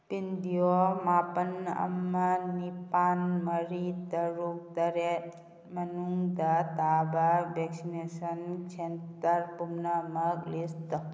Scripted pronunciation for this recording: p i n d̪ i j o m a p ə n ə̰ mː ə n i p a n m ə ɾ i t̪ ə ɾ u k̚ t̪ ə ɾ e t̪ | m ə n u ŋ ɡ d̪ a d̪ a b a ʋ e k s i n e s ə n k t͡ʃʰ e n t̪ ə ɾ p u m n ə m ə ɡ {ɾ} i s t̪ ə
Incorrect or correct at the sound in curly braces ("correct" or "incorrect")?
incorrect